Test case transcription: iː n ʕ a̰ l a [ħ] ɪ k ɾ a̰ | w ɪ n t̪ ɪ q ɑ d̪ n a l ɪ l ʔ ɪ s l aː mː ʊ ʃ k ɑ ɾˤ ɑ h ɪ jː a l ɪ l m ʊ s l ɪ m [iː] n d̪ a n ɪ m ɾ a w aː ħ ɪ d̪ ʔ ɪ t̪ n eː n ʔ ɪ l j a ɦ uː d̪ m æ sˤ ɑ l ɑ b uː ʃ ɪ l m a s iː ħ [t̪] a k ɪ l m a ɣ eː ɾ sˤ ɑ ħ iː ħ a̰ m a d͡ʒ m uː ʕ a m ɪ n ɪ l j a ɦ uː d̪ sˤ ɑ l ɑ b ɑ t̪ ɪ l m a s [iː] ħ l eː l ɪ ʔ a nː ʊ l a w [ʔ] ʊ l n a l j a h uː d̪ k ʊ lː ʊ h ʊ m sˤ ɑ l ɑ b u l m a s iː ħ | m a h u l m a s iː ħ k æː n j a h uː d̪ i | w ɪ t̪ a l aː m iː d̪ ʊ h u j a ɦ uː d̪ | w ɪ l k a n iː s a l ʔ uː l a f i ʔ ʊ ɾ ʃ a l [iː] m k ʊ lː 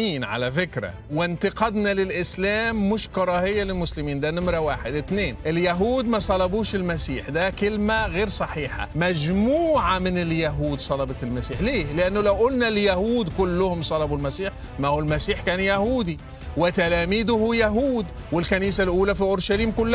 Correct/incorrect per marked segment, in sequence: incorrect, correct, incorrect, correct, correct, correct

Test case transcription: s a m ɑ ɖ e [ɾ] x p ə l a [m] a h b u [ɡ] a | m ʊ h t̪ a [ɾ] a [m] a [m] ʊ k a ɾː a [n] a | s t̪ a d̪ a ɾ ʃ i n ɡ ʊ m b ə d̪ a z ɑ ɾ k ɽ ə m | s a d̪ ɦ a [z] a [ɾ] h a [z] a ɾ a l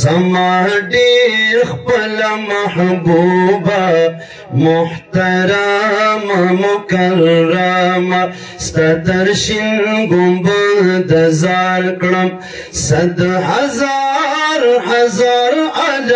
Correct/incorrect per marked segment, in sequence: correct, correct, incorrect, correct, correct, correct, incorrect, correct, correct, correct

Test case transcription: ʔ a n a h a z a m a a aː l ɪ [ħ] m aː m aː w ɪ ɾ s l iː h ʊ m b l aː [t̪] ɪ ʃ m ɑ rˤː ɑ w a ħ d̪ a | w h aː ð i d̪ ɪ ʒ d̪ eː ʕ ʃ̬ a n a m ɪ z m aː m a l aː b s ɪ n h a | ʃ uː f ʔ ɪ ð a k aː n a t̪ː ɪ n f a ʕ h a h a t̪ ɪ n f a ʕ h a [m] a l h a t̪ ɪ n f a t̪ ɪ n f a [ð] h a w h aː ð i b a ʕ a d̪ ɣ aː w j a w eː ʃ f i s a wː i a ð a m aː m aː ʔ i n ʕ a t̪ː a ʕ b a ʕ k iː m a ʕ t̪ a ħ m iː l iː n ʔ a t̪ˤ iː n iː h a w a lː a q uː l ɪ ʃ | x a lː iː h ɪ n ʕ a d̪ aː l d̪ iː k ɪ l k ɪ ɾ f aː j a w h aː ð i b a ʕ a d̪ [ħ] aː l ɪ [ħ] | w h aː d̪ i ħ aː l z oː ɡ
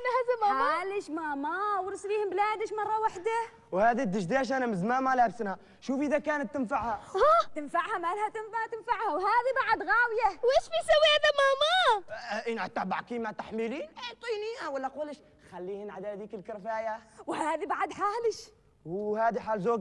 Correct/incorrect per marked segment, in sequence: incorrect, incorrect, correct, incorrect, correct, incorrect

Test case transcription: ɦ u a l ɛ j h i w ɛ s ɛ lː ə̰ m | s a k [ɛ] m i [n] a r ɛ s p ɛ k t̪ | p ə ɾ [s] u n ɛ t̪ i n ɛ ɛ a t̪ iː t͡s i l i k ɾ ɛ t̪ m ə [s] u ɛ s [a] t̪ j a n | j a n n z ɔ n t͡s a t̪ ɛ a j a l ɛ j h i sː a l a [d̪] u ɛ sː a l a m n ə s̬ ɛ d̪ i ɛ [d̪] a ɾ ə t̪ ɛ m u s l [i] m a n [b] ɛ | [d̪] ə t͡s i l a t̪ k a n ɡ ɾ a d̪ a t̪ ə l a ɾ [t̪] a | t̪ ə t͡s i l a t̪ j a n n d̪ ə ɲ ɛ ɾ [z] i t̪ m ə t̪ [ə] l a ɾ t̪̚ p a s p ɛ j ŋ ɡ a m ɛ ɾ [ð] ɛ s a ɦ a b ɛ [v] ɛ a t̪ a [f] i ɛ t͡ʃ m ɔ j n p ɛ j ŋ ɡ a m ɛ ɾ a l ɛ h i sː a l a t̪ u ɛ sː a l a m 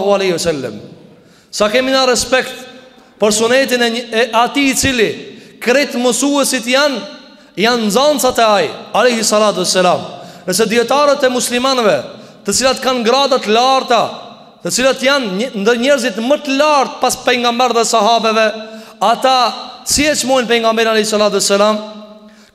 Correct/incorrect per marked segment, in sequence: correct, correct, correct, correct, incorrect, incorrect, incorrect, correct, incorrect, incorrect, correct, correct, correct, correct, correct, incorrect

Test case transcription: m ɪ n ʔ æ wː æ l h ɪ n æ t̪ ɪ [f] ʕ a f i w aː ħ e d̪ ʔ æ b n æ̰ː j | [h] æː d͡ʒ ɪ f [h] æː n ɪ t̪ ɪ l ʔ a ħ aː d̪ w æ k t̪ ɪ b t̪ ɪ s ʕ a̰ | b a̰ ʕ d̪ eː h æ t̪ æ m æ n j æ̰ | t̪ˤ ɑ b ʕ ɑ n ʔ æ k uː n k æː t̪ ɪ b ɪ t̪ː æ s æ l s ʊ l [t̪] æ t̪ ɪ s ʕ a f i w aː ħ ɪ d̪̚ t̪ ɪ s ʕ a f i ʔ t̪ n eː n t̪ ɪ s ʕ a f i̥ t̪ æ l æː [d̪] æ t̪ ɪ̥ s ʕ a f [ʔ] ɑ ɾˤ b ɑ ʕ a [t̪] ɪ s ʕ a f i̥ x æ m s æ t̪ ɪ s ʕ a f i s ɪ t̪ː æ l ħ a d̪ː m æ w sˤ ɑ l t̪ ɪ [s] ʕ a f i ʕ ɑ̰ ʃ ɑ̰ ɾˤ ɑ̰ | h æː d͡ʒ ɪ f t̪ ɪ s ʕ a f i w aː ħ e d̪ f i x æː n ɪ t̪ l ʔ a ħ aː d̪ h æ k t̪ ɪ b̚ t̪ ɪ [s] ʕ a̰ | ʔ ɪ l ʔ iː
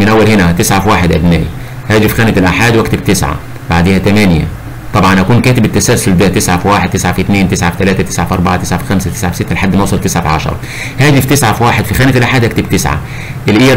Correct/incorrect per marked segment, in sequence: incorrect, correct, incorrect, incorrect, incorrect, correct, correct, correct, correct

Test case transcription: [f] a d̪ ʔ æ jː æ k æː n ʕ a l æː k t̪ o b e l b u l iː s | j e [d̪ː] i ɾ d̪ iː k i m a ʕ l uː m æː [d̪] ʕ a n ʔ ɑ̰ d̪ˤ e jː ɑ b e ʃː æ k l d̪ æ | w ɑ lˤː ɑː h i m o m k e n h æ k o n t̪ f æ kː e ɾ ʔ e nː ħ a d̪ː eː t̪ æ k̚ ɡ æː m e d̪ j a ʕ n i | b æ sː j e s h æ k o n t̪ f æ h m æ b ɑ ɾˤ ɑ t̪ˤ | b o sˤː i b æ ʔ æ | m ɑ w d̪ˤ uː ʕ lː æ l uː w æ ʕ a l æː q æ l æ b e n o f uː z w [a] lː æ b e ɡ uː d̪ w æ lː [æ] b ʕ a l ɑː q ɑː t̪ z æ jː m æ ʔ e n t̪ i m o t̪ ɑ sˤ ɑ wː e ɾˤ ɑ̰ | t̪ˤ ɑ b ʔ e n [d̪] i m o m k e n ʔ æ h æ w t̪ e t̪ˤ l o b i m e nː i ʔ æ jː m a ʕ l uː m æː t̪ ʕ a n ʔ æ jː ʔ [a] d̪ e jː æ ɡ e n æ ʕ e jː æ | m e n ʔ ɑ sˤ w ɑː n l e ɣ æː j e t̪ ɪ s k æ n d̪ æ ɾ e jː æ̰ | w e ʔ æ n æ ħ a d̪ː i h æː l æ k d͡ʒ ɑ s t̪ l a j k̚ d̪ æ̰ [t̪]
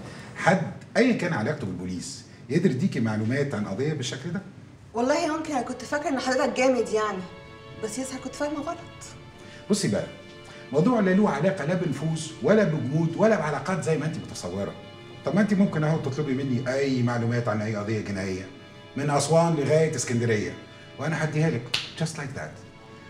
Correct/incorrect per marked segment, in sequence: incorrect, incorrect, incorrect, incorrect, correct, incorrect, incorrect, correct

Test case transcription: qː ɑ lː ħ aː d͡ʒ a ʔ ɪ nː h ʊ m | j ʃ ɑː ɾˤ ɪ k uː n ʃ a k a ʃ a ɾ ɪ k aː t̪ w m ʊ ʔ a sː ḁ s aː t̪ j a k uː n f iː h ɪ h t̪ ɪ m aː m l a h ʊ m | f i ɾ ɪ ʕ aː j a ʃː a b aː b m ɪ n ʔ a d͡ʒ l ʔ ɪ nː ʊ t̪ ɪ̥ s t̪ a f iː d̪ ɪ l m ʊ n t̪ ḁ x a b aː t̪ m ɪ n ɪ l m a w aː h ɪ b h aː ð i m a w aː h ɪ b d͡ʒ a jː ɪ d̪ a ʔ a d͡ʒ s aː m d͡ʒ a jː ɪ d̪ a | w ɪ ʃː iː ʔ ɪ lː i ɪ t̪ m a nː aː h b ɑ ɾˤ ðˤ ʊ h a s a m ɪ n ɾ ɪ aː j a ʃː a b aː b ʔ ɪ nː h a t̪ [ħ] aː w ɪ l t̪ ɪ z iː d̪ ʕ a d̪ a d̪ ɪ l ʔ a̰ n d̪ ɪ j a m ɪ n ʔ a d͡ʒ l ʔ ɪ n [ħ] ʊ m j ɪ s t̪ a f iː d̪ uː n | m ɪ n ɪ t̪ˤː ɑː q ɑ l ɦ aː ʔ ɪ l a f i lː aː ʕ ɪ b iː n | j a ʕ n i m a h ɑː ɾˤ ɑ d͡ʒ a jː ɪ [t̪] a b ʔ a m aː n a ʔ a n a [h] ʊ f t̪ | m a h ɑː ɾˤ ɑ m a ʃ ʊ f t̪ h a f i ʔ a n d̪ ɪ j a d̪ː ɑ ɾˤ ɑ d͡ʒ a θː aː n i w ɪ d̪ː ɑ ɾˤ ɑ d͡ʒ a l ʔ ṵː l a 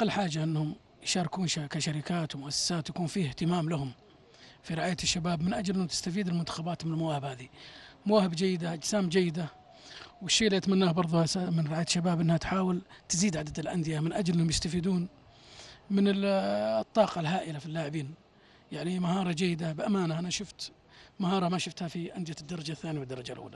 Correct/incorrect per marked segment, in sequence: correct, incorrect, incorrect, incorrect

